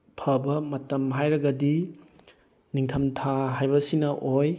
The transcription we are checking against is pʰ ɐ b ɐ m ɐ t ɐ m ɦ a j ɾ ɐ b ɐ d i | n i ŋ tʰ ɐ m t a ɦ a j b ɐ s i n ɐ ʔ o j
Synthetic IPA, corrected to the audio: pʰ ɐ b ɐ m ɐ t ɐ m ɦ a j ɾ ɐ ɡ ɐ d i | n i ŋ tʰ ɐ m tʰ a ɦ a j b ɐ s i n ɐ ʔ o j